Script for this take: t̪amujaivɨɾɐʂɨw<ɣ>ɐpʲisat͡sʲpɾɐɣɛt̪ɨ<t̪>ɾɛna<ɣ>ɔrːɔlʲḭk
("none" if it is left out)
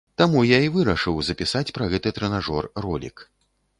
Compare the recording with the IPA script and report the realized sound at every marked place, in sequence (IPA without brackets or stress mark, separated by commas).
z, t̪, ʐ